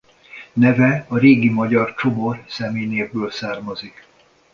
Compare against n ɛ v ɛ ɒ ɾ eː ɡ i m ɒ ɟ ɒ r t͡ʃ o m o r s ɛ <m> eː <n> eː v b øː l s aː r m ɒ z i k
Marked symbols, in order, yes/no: yes, yes

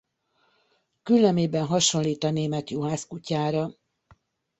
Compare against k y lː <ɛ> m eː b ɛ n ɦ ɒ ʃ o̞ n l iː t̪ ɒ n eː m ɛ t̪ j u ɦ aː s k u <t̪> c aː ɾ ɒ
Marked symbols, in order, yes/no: yes, no

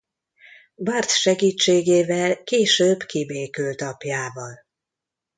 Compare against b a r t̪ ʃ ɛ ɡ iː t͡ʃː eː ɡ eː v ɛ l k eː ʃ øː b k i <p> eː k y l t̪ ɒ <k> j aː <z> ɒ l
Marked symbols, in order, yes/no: no, no, no

